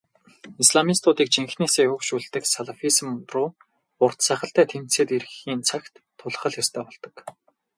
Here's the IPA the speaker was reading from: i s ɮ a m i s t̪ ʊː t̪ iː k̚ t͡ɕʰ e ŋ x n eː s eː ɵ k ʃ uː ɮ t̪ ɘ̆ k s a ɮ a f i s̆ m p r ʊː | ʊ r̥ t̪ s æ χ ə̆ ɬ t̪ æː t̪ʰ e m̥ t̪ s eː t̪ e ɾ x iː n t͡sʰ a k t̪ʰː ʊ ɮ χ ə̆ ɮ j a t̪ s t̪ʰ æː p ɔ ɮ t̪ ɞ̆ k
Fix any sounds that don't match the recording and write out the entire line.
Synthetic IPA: i s ɮ a m i s t̪ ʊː t̪ iː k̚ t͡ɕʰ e ŋ x n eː s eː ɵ k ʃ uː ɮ t̪ ɘ̆ k s a ɮ a f i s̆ m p r ʊː | ʊ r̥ t̪ s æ χ ə̆ ɬ t̪ æː t̪ʰ e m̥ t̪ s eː t̪ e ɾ x iː n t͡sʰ a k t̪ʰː ʊ ɮ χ ə̆ ɮ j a s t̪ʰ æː p ɔ ɮ t̪ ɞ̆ k